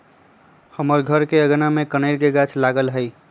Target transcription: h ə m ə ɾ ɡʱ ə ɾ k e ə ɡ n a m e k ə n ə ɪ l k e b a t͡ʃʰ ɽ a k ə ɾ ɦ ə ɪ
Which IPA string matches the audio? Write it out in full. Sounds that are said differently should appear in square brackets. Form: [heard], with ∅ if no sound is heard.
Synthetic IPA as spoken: h ə m ə ɾ ɡʱ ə ɾ k e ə ɡ n a m e k ə n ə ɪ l k e [ɡ] a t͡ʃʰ [l] a [ɡ] ə [l] ɦ ə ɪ